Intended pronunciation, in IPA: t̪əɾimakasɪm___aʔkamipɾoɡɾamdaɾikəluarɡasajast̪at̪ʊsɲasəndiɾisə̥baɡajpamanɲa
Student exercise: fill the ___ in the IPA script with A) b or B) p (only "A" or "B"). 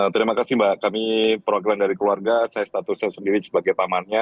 A